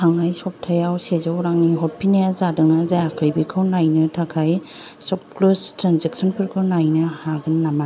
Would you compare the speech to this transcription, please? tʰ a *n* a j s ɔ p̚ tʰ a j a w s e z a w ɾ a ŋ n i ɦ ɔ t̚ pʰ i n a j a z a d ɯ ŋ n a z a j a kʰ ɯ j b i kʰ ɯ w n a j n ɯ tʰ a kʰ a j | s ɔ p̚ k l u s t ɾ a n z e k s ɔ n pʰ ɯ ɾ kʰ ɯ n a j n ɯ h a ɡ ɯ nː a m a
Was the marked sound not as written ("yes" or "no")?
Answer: yes